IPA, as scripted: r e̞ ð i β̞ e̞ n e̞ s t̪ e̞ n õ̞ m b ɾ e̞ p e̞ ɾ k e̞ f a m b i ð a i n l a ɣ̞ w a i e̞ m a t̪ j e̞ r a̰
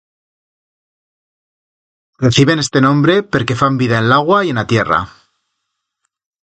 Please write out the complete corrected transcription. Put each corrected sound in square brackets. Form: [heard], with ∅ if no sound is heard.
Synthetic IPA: r e̞ [θ] i β̞ e̞ n e̞ s t̪ e̞ n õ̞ m b ɾ e̞ p e̞ ɾ k e̞ f a m b i ð a [e] n l a ɣ̞ w a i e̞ [n] a t̪ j e̞ r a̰

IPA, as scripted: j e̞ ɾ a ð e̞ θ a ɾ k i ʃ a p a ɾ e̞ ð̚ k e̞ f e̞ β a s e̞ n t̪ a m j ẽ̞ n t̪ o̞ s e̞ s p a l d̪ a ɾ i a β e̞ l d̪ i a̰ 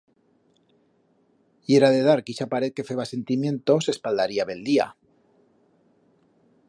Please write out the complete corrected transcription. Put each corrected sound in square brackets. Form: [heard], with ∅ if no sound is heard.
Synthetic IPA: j e̞ ɾ a ð e̞ [ð] a ɾ k i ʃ a p a ɾ e̞ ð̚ k e̞ f e̞ β a s e̞ n t̪ [i] m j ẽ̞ n t̪ o̞ s e̞ s p a l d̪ a ɾ i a β e̞ l d̪ i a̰

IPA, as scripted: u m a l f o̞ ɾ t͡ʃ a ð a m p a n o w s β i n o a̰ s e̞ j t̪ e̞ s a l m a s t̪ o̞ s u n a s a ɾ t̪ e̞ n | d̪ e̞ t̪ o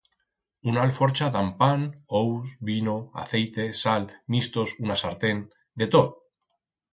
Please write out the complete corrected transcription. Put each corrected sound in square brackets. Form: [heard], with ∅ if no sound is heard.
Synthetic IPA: u [n] a l f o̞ ɾ t͡ʃ a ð a m p a n o w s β i n o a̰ [θ] e̞ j t̪ e̞ s a l m [i] s t̪ o̞ s u n a s a ɾ t̪ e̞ n | d̪ e̞ t̪ o

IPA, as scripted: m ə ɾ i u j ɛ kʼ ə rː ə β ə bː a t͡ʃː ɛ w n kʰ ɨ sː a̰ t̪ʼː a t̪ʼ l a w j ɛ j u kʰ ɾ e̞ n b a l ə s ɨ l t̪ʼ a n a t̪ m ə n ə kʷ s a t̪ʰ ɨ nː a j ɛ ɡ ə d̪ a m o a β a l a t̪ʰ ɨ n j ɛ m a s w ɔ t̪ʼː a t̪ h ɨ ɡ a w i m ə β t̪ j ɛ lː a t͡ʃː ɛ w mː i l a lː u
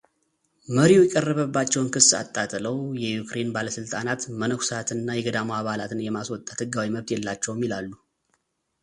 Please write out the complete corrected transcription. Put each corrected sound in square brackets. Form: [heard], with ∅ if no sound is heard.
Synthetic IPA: m ə ɾ i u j ɛ kʼ ə rː ə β ə bː a t͡ʃː ɛ w n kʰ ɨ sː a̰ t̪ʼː a t̪ʼ l [ə] w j ɛ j u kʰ ɾ e̞ n b a l ə s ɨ l t̪ʼ a n a t̪ m ə n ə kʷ s a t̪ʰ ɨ nː a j ɛ ɡ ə d̪ a m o a β a l a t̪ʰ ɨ n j ɛ m a s w ɔ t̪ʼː a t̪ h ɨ ɡ a w i m ə β t̪ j ɛ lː a t͡ʃː ɛ w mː i l a lː u

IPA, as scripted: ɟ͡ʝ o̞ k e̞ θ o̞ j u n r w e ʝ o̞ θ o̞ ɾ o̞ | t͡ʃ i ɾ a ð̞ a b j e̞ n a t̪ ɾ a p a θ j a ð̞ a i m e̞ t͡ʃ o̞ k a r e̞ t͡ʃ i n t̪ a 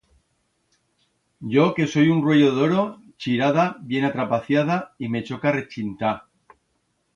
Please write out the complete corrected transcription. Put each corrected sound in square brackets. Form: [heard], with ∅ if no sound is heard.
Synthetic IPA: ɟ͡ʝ o̞ k e̞ [s] o̞ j u n r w e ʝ o̞ [ð] o̞ ɾ o̞ | t͡ʃ i ɾ a ð̞ a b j e̞ n a t̪ ɾ a p a θ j a ð̞ a i m e̞ t͡ʃ o̞ k a r e̞ t͡ʃ i n t̪ a

